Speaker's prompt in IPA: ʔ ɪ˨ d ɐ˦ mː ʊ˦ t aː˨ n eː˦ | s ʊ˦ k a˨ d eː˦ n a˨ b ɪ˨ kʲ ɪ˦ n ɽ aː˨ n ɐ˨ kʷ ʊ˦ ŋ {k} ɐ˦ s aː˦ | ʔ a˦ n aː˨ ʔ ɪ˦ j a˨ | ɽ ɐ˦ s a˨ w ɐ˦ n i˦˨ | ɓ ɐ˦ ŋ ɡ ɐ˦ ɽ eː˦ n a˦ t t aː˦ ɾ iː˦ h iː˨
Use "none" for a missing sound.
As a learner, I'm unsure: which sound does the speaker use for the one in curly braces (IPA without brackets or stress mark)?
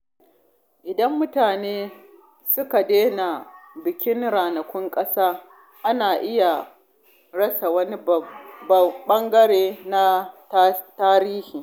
kʼ